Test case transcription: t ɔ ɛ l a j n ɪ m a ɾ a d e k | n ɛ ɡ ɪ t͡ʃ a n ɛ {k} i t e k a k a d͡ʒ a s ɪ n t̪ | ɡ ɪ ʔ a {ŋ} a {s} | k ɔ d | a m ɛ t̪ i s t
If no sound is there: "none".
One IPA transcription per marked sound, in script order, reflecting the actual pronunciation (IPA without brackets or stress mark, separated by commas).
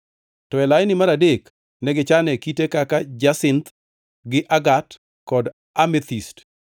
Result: k, ɡ, t